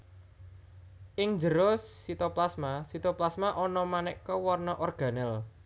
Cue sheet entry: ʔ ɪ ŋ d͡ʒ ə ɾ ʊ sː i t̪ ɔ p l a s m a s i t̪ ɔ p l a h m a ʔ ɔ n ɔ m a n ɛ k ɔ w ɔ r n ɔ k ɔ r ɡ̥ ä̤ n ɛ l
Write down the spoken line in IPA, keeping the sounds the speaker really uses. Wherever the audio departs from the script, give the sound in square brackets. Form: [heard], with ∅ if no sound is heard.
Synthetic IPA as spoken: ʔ ɪ ŋ d͡ʒ ə ɾ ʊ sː i t̪ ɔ p l a s m a s i t̪ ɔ p l a [s] m a ʔ ɔ n ɔ m a n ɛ k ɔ w ɔ r n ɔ [ʔ] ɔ r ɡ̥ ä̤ n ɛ l